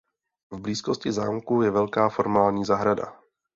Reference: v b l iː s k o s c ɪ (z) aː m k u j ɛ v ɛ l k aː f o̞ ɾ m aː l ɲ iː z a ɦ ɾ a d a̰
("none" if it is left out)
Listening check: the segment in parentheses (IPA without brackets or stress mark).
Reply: z